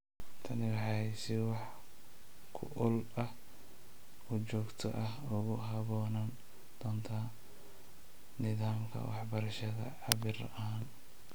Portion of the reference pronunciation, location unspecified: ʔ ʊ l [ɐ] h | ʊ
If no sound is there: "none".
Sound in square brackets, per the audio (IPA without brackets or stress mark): ɐ